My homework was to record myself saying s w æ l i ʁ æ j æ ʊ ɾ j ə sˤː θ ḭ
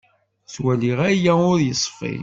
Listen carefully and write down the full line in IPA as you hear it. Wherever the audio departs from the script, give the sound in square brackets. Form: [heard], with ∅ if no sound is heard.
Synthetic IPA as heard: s w æ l i ʁ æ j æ ʊ ɾ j ə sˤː [f] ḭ